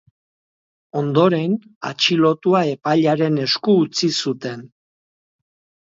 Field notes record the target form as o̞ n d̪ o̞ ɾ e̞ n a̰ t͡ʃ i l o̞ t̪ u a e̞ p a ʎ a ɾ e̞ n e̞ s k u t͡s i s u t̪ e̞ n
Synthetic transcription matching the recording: o̞ n d̪ o̞ ɾ e̞ n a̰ t͡ʃ i l o̞ t̪ u a e̞ p a ʎ a ɾ e̞ n e̞ s k uː t͡s i s u t̪ e̞ n

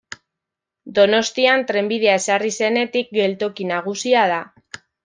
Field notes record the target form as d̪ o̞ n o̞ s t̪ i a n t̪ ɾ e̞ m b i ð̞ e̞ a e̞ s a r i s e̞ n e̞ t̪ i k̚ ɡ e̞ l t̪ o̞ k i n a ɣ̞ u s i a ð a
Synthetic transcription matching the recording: d̪ o̞ n o̞ s t̪ i a n t̪ ɾ e̞ m b i ð̞ e̞ a e̞ s a r i s e̞ n e̞ t̪ i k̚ ɡ e̞ l t̪ o̞ k i n a ɣ̞ u s i a ð a

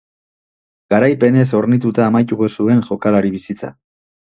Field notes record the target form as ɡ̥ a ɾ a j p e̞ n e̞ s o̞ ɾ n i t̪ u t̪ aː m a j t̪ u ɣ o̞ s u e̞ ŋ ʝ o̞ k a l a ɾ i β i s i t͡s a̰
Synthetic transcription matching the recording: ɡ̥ a ɾ a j p e̞ n e̞ s o̞ ɾ n i t̪ u t̪ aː m a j t̪ u ɣ o̞ s u e̞ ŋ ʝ o̞ k a l a ɾ i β i s i t͡s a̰

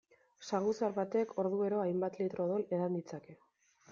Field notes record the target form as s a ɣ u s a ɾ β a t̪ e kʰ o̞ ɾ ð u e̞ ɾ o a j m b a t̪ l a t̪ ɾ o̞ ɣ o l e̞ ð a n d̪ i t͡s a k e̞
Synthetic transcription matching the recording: s a ɣ u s a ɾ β a t̪ e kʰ o̞ ɾ ð u e̞ ɾ o a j m b a t̪ l i t̪ ɾ o̞ ð o l e̞ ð a n d̪ i t͡s a k e̞

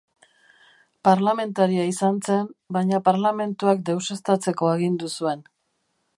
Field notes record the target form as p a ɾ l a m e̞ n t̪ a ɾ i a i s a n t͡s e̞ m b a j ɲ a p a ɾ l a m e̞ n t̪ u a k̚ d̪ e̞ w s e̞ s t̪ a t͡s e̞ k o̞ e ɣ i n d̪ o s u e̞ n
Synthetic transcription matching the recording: p a ɾ l a m e̞ n t̪ a ɾ i a i s a n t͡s e̞ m b a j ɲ a p a ɾ l a m e̞ n t̪ u a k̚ d̪ e̞ w s e̞ s t̪ a t͡s e̞ k o̞ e ɣ i n d̪ u s u e̞ n

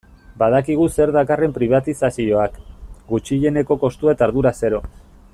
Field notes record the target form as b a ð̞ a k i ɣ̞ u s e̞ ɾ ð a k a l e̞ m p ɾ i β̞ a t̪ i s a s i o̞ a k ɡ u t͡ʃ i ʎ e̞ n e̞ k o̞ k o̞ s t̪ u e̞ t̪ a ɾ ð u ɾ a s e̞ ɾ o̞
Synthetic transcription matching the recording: b a ð̞ a k i ɣ̞ u s e̞ ɾ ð a k a r e̞ m p ɾ i β̞ a t̪ i s a s i o̞ a k ɡ u t͡ʃ i ʎ e̞ n e̞ k o̞ k o̞ s t̪ u e̞ t̪ a ɾ ð u ɾ a s e̞ ɾ o̞

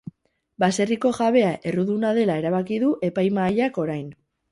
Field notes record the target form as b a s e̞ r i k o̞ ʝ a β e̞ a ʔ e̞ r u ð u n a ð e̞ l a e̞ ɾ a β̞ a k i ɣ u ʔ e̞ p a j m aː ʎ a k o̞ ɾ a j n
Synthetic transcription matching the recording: b a s e̞ r i k o̞ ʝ a β e̞ a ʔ e̞ r u ð u n a ð e̞ l a e̞ ɾ a β̞ a k i ð u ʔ e̞ p a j m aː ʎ a k o̞ ɾ a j n

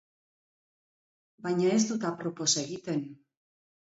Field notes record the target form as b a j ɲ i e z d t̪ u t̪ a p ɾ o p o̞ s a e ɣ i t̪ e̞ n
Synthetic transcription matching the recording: b a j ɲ a e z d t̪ u t̪ a p ɾ o p o̞ s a e ɣ i t̪ e̞ n

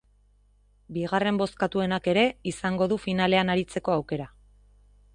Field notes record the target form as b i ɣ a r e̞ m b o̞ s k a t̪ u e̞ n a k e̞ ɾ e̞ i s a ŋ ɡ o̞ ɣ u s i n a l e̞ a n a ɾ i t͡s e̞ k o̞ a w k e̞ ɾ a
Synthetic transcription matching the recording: b i ɣ a r e̞ m b o̞ s k a t̪ u e̞ n a k e̞ ɾ e̞ i s a ŋ ɡ o̞ ð u f i n a l e̞ a n a ɾ i t͡s e̞ k o̞ a w k e̞ ɾ a

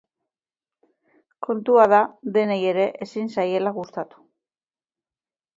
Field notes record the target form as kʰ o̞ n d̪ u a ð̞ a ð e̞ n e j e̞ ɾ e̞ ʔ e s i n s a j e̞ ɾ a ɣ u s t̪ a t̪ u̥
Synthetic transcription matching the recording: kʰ o̞ n t̪ u a ð̞ a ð e̞ n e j e̞ ɾ e̞ ʔ e s i n s a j e̞ l a ɣ u s t̪ a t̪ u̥

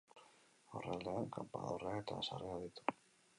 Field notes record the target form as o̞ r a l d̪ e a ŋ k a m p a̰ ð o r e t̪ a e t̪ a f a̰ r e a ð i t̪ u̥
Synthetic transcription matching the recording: o̞ r a l d̪ e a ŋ k a m p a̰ ð o r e a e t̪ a s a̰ r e a ð i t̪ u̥

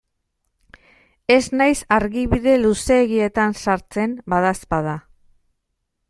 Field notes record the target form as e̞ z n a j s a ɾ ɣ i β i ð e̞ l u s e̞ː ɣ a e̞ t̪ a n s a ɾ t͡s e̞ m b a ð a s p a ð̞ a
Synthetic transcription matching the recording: e̞ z n a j s a ɾ ɣ i β i ð e̞ l u s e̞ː ɣ i e̞ t̪ a n s a ɾ t͡s e̞ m b a ð a s p a ð̞ a

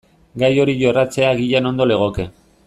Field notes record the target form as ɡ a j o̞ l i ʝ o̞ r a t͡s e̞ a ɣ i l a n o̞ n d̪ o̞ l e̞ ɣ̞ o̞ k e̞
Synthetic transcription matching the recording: ɡ a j o̞ ɾ i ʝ o̞ r a t͡s e̞ a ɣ i ʎ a n o̞ n d̪ o̞ l e̞ ɣ̞ o̞ k e̞

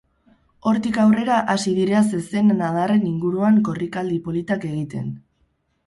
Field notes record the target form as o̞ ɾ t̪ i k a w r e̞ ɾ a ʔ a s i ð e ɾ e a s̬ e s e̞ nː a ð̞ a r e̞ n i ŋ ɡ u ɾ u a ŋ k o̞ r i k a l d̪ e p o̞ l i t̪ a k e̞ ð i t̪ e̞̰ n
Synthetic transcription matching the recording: o̞ ɾ t̪ i k a w r e̞ ɾ a ʔ a s i ð i ɾ e a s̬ e s e̞ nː a ð̞ a r e̞ n i ŋ ɡ u ɾ u a ŋ k o̞ r i k a l d̪ i p o̞ l i t̪ a k e̞ ɣ i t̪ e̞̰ n

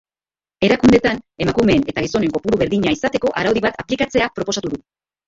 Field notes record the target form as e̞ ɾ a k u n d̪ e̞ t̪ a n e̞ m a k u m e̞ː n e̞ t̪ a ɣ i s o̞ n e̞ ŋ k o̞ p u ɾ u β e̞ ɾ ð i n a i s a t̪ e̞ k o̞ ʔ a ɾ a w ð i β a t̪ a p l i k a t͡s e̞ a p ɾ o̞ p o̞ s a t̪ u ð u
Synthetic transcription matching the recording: e̞ ɾ a k u n d̪ e̞ t̪ a n e̞ m a k u m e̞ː n e̞ t̪ a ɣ i s o̞ n e̞ ŋ k o̞ p u ɾ u β e̞ ɾ ð i ɲ a i s a t̪ e̞ k o̞ ʔ a ɾ a w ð i β a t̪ a p l i k a t͡s e̞ a p ɾ o̞ p o̞ s a t̪ u ð u

